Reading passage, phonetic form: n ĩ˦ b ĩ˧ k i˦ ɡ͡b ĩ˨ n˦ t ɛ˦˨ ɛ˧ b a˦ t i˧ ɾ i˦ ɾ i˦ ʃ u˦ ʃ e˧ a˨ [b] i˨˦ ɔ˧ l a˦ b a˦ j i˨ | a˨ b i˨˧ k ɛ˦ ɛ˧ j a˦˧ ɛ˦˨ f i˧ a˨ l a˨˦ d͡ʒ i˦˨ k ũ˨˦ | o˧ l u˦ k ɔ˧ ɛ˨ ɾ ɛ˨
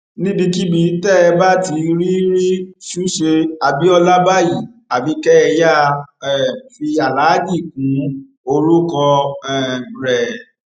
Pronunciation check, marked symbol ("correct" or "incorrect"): correct